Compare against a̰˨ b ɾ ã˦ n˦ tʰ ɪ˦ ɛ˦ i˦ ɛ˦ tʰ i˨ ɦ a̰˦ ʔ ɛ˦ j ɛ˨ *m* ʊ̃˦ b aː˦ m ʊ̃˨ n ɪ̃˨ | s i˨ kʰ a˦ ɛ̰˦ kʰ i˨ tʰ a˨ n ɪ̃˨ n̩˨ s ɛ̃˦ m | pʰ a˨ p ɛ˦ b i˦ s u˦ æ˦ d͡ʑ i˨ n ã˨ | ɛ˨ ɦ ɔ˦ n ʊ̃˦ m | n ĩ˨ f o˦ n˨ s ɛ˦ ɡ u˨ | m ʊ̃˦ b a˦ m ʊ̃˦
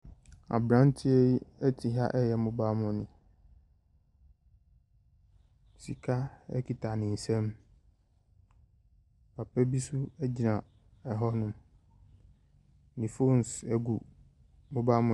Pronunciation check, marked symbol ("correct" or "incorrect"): correct